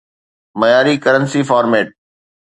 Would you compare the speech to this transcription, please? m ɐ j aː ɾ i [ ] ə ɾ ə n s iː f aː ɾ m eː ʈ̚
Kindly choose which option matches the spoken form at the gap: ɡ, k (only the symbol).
k